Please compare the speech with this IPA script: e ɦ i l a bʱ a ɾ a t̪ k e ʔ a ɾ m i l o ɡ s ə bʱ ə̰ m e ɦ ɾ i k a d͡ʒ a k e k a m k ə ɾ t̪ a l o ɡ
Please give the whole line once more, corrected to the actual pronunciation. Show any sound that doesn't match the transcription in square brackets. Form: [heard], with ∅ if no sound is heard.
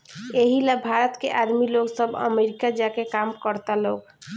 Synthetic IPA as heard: e ɦ i l a bʱ a ɾ [ə] t̪ k e ʔ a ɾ m i l o ɡ s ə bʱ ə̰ m e [∅] ɾ i k a d͡ʒ a k e k a m k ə ɾ t̪ a l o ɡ